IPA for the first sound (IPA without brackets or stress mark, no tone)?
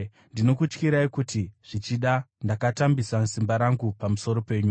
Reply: n